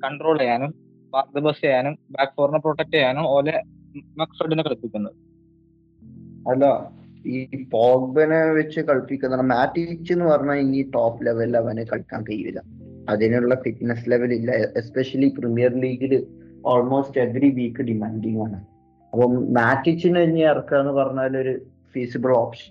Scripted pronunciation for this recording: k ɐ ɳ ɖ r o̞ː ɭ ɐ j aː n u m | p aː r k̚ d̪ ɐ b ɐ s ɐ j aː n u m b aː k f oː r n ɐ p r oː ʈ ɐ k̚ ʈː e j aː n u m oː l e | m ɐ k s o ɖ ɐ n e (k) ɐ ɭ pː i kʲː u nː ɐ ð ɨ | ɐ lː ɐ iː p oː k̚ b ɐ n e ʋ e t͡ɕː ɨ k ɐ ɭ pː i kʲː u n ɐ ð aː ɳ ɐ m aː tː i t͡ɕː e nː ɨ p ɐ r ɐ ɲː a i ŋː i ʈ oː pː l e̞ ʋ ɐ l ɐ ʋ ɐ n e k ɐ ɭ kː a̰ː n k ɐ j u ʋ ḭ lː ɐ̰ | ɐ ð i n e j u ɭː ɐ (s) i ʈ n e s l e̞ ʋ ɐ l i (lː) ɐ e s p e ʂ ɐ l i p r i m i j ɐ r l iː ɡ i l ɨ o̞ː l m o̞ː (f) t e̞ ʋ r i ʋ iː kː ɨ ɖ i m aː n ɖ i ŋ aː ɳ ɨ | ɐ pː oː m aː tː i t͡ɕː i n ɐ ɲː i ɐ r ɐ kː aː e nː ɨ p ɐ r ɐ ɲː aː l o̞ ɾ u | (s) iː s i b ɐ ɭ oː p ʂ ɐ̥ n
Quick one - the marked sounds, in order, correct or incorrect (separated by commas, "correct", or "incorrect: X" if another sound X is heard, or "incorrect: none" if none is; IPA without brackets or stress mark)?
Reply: correct, incorrect: f, correct, incorrect: s, incorrect: f